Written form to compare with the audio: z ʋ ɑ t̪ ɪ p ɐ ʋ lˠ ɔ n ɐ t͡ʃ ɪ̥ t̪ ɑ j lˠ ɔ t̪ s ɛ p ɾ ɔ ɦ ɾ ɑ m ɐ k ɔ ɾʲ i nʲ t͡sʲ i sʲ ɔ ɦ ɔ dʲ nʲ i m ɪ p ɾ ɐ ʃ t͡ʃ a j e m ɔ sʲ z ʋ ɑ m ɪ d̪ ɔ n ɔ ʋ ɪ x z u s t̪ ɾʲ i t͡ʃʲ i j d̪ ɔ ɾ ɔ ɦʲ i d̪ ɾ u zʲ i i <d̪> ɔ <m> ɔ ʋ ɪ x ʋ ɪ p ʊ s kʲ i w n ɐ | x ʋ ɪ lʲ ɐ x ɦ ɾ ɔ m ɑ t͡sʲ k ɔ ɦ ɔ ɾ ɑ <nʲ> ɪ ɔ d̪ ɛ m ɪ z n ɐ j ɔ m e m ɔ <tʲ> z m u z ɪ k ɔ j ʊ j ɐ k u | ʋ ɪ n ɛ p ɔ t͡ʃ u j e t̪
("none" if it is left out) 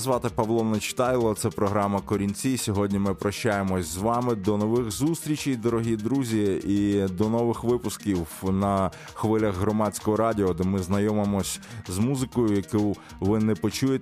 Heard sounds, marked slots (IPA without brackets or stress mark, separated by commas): d̪, n, dʲ, sʲ